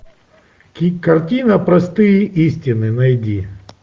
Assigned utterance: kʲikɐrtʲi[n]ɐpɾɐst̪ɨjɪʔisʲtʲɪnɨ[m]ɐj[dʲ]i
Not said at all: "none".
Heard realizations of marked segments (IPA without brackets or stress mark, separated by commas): n, n, dʲ